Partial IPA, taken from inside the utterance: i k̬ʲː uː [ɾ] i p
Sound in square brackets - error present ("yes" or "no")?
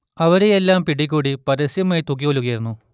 yes